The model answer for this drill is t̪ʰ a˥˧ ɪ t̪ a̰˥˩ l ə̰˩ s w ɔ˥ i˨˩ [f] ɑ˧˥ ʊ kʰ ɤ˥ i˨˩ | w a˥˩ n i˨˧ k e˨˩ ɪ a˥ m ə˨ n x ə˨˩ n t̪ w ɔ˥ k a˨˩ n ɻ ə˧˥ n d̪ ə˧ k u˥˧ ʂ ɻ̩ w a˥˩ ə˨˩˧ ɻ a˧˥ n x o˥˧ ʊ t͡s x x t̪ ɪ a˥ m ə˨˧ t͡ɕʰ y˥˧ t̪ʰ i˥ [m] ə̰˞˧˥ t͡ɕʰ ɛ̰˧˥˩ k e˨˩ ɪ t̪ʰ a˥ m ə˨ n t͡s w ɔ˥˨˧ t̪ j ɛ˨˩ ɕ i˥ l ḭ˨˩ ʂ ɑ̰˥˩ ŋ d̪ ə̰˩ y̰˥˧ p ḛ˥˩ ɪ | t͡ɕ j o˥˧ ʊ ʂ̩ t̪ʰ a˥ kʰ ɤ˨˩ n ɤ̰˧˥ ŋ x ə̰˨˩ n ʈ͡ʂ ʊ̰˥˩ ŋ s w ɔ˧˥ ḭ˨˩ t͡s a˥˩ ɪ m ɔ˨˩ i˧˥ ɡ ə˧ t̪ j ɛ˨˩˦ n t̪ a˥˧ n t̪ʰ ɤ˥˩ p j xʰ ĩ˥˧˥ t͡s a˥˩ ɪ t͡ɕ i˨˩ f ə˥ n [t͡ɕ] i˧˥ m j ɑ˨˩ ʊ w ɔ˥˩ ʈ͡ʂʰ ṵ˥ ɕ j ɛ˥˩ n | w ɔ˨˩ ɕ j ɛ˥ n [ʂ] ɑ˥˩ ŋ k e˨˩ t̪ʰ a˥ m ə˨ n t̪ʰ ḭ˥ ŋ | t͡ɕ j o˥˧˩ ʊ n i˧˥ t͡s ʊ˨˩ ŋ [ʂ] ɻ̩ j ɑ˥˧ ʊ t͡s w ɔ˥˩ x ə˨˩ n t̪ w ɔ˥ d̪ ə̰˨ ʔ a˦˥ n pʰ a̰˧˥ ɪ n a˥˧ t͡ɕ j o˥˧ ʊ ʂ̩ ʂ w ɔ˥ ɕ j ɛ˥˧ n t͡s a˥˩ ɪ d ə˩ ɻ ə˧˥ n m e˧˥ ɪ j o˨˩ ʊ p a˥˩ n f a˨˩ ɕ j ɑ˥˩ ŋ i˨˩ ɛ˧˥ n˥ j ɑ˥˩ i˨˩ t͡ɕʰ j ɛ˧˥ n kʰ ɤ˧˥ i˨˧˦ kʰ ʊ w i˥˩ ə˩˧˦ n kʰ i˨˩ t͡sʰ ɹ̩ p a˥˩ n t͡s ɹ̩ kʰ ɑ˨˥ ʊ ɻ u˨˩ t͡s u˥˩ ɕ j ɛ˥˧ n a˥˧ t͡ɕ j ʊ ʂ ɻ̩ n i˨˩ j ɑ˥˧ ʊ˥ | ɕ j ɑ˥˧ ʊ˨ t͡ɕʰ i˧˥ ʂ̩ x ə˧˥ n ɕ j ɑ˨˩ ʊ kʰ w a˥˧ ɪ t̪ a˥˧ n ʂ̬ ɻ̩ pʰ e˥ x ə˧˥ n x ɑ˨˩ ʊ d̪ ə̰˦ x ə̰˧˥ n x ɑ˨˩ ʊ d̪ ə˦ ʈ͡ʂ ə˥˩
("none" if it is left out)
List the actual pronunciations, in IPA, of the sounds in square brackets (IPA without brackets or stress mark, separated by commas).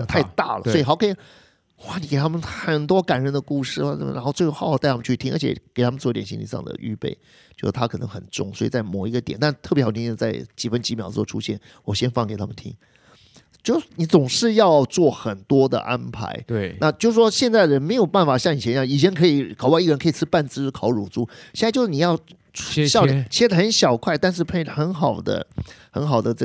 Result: x, ŋ, t͡ɕ, f, ʂ